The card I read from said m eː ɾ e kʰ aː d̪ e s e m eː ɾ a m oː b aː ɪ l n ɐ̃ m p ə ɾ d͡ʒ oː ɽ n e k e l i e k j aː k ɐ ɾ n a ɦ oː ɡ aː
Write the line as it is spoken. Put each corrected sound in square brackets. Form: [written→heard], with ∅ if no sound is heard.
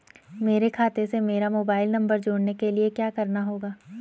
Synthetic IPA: m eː ɾ e kʰ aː [d̪→t̪] e s e m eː ɾ a m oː b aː ɪ l n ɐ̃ m [p→b] ə ɾ d͡ʒ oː ɽ n e k e l i e k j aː k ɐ ɾ n a ɦ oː ɡ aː